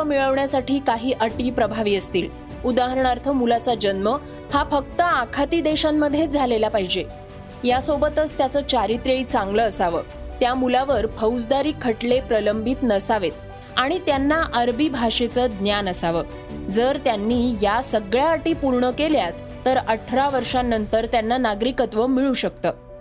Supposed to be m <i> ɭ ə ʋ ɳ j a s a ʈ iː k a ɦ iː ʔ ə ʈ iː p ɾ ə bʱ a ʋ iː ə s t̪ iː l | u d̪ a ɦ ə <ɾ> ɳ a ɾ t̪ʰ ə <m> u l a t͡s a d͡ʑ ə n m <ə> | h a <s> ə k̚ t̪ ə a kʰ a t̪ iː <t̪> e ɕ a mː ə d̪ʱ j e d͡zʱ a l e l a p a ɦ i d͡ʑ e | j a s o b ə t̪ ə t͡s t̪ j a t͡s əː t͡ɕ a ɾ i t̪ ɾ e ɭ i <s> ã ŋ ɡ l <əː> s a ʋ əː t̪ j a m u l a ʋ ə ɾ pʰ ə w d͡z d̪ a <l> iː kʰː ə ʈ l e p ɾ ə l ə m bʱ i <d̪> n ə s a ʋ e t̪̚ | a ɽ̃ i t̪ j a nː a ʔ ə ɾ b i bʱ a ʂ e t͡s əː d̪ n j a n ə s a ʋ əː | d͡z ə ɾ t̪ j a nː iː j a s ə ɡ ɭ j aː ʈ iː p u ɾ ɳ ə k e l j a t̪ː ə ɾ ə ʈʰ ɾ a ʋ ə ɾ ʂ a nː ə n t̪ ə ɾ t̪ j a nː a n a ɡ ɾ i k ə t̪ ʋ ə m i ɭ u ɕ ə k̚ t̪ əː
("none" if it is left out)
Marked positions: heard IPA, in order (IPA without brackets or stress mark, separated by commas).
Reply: i, ɾ, m, ə, f, d̪, t͡s, əː, ɾ, t̪